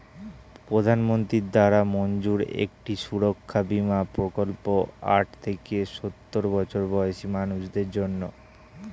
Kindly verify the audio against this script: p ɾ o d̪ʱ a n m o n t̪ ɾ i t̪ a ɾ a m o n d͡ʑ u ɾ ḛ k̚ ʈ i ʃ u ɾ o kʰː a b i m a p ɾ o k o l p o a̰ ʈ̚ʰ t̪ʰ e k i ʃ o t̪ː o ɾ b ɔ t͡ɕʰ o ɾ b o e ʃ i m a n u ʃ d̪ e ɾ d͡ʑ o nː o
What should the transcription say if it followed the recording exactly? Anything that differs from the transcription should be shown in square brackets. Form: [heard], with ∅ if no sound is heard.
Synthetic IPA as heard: p ɾ o d̪ʱ a n m o n t̪ ɾ i [d̪] a ɾ a m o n d͡ʑ u ɾ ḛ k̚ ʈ i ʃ u ɾ o kʰː a b i m a p ɾ o k o l p o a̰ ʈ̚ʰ t̪ʰ e k [e] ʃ o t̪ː o ɾ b ɔ t͡ɕʰ o ɾ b [ɔ] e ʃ i m a n u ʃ d̪ e ɾ d͡ʑ o nː o

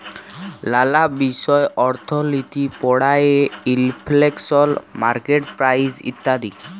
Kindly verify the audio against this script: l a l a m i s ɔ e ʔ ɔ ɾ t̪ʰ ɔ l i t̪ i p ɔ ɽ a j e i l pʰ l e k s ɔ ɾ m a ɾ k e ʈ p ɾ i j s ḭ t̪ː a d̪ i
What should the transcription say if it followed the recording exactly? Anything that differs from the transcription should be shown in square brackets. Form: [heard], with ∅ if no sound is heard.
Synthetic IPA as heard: l a l a [b] i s ɔ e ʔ ɔ ɾ t̪ʰ ɔ l i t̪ i p ɔ ɽ a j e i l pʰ l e k s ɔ [l] m a ɾ k e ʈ p ɾ [a] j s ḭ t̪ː a d̪ i

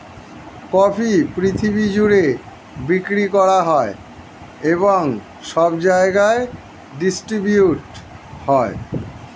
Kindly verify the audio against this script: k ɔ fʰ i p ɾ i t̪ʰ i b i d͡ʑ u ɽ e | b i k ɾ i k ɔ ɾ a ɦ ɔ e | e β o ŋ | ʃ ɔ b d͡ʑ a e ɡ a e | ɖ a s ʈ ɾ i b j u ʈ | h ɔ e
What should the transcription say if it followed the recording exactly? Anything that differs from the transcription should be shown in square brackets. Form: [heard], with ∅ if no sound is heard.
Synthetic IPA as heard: k ɔ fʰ i p ɾ i t̪ʰ i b i d͡ʑ u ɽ e | b i k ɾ i k ɔ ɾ a ɦ ɔ e | e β o ŋ | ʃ ɔ b d͡ʑ a e ɡ a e | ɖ [i] s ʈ ɾ i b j u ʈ | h ɔ e

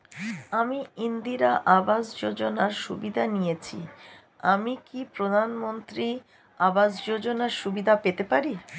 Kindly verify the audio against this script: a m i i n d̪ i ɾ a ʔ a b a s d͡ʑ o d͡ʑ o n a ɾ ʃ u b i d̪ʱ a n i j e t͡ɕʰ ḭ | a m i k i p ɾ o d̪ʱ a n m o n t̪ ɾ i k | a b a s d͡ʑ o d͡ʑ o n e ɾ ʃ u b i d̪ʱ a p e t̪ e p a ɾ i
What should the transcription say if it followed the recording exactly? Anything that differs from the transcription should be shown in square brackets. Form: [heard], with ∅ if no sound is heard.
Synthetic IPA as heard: a m i i n d̪ i ɾ a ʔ a b a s d͡ʑ o d͡ʑ o n a ɾ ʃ u b i d̪ʱ a n i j e t͡ɕʰ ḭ | a m i k i p ɾ o d̪ʱ a n m o n t̪ ɾ i [∅] | a b a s d͡ʑ o d͡ʑ o n [a] ɾ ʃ u b i d̪ʱ a p e t̪ e p a ɾ i

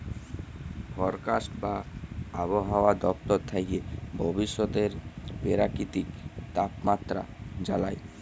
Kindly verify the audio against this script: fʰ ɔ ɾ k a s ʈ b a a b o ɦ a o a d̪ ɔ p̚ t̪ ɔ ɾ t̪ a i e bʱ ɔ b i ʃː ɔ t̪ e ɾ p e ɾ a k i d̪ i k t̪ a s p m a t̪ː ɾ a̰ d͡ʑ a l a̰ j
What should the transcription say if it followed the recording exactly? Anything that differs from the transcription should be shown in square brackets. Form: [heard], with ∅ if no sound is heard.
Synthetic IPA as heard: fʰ ɔ ɾ k a s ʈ b a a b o ɦ a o a d̪ ɔ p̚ t̪ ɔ ɾ [t̪ʰ] a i e bʱ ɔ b i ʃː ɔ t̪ e ɾ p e ɾ a k i [t̪] i k t̪ a [∅] p m a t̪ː ɾ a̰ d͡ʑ a l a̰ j

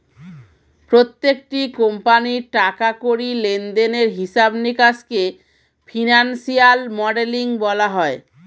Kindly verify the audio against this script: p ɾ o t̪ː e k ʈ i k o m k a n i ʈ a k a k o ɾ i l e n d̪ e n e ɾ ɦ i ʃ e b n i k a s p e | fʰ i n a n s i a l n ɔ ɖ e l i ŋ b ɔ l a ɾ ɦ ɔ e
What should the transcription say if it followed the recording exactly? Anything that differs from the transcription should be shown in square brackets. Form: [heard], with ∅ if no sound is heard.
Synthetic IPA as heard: p ɾ o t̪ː e k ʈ i k o m [p] a n i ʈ a k a k o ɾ i l e n d̪ e n e ɾ ɦ i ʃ [a] b n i k a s [k] e | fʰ i n a n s i a l [m] ɔ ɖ e l i ŋ b ɔ l a [∅] ɦ ɔ e

